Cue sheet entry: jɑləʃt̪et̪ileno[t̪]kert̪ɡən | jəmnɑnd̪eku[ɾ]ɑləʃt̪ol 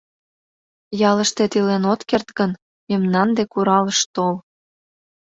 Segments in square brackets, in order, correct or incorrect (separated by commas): correct, correct